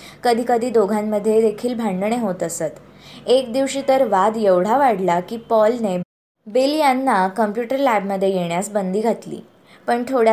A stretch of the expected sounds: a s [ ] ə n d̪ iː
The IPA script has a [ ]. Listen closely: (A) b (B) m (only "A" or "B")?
A